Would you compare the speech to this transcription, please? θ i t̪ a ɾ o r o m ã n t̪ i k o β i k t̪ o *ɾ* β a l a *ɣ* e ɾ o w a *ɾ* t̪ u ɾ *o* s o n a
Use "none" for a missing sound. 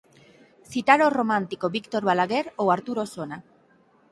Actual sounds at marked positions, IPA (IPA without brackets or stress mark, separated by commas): ɾ, ɣ, ɾ, o